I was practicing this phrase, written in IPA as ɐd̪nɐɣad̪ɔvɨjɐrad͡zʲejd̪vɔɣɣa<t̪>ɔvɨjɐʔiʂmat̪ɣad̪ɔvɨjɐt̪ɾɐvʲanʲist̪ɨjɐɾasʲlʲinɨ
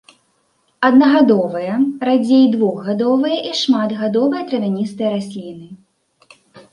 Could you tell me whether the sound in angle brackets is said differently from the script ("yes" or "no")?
yes